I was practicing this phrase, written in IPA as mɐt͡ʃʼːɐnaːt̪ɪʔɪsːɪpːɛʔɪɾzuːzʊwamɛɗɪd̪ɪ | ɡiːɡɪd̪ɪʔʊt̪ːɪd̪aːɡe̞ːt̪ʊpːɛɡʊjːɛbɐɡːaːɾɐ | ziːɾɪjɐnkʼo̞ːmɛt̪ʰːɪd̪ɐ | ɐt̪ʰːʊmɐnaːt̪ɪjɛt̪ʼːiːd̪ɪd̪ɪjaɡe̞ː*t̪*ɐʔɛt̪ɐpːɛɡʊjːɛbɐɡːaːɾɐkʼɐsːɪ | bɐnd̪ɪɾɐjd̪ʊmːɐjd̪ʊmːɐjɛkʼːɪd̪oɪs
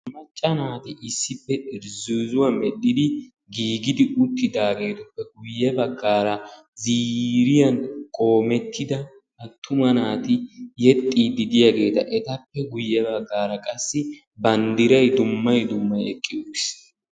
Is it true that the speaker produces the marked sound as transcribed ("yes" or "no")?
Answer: yes